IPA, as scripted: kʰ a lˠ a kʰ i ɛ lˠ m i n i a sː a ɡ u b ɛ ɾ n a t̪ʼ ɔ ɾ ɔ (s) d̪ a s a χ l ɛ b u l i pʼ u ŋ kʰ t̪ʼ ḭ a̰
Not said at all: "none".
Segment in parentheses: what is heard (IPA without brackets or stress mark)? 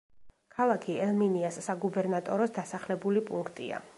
s